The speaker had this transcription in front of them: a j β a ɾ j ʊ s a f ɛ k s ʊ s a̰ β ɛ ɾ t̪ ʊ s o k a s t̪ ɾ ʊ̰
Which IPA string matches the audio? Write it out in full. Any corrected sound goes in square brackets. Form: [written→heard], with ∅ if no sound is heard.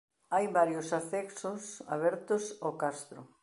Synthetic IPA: a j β a ɾ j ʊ s a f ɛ k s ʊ s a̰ β ɛ ɾ t̪ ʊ s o k a s t̪ ɾ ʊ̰